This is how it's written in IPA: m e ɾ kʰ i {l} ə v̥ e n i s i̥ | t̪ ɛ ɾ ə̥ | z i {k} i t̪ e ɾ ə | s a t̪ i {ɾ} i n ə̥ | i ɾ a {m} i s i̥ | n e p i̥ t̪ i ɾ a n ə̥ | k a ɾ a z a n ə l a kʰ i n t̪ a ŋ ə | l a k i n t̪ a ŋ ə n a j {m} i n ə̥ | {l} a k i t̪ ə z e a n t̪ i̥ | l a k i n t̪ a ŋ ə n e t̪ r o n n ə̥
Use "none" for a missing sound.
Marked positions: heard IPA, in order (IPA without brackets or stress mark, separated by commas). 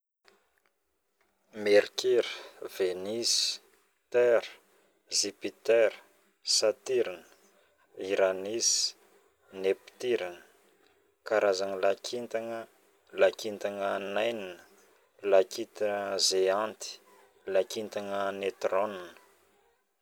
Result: ɾ, p, ɾ, n, n, l